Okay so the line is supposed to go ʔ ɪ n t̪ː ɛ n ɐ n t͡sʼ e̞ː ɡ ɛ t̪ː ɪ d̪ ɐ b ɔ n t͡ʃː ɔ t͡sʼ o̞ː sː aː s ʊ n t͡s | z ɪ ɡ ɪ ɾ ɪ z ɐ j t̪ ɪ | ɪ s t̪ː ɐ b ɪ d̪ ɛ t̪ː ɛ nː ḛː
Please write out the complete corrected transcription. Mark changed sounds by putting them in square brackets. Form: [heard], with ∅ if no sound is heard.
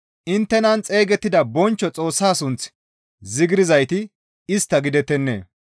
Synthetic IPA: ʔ ɪ n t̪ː ɛ n ɐ n t͡sʼ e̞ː ɡ ɛ t̪ː ɪ d̪ ɐ b ɔ n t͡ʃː ɔ t͡sʼ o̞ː sː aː s ʊ n t͡s | z ɪ ɡ ɪ ɾ ɪ z ɐ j t̪ ɪ | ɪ s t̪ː ɐ [ɡ] ɪ d̪ ɛ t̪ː ɛ nː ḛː